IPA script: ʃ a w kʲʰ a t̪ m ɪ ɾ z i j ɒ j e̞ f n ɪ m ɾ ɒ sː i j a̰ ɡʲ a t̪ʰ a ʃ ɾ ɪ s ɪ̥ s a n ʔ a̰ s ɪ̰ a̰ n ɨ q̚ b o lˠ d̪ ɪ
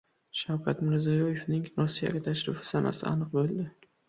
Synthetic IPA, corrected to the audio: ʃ a w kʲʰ a t̪ m ɪ ɾ z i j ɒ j e̞ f n ɪ ŋ ɾ ɒ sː i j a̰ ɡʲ a t̪ʰ a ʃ ɾ ɪ f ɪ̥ s a n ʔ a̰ s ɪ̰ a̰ n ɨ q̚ b o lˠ d̪ ɪ